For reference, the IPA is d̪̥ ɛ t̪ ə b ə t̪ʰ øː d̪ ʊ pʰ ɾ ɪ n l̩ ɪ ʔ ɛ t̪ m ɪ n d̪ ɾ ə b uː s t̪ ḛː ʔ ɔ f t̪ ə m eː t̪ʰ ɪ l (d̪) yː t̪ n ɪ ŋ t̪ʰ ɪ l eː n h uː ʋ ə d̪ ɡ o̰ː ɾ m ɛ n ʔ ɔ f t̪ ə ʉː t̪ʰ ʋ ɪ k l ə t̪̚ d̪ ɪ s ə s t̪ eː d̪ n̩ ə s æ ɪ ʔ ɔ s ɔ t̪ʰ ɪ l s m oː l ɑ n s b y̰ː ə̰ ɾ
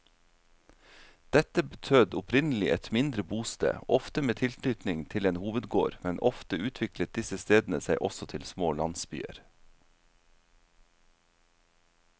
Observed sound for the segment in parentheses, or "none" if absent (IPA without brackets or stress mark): t̪